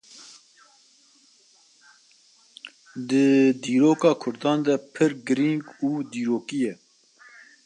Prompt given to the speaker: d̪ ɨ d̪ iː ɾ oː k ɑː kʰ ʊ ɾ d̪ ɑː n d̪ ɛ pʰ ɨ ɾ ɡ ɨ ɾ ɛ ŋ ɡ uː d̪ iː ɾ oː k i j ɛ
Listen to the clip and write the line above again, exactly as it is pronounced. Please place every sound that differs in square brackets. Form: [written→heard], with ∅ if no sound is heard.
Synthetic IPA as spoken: d̪ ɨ d̪ iː ɾ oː k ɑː kʰ ʊ ɾ d̪ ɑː n d̪ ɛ pʰ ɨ ɾ ɡ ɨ ɾ [ɛ→i] ŋ ɡ uː d̪ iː ɾ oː k i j ɛ